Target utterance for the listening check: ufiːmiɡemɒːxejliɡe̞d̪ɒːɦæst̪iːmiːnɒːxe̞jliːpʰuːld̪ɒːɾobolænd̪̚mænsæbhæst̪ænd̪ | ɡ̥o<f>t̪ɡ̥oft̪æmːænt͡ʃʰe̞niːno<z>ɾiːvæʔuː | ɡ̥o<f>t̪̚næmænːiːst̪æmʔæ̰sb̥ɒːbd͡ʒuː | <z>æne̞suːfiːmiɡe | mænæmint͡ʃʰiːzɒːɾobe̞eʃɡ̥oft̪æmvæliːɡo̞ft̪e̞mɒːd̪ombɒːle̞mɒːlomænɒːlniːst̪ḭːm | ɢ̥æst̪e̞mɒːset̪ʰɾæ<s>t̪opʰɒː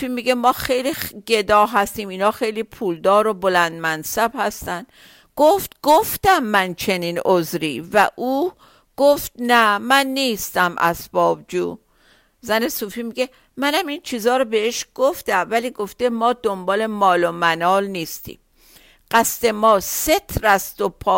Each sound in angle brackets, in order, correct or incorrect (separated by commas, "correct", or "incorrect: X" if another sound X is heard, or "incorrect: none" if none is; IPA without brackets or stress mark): correct, correct, correct, correct, correct